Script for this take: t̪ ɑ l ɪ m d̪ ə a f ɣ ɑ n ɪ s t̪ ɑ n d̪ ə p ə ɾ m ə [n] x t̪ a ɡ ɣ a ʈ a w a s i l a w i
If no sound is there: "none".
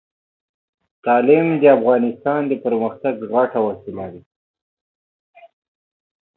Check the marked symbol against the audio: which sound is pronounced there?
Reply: none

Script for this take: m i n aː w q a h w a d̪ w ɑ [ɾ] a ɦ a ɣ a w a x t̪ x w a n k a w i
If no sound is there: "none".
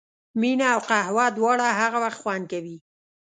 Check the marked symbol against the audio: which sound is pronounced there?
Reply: ɽ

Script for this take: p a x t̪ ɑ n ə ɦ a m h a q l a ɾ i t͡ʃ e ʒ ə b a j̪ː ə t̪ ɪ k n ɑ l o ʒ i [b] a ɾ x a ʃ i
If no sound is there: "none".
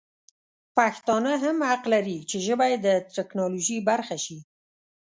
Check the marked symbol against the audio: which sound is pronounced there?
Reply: b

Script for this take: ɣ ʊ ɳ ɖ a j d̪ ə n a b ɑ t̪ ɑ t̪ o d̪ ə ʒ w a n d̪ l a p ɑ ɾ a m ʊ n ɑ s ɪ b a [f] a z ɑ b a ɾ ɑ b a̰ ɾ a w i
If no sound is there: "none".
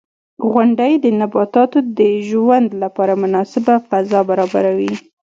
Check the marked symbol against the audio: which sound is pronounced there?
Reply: f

